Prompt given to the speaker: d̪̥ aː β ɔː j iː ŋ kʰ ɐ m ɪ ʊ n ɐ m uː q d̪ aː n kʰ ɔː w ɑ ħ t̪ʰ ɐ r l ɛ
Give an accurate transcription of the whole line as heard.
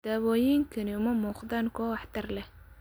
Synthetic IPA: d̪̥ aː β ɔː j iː ŋ kʰ ɐ n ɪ ʊ m ɐ m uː q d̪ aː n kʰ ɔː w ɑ ħ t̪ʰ ɐ r l ɛ